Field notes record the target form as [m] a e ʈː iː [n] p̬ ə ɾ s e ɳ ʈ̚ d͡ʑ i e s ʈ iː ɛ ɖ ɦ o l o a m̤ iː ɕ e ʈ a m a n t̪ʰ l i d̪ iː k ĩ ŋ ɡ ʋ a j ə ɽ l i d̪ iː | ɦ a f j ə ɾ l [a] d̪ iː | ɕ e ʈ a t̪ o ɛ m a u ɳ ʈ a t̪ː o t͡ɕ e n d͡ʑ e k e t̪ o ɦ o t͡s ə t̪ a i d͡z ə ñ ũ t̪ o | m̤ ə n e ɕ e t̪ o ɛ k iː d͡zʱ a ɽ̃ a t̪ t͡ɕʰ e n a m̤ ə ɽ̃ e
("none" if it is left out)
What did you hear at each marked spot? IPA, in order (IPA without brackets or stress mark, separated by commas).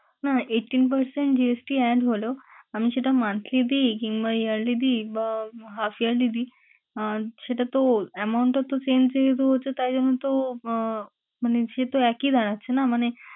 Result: n, n, i